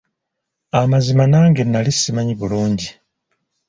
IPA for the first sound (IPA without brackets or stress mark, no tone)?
a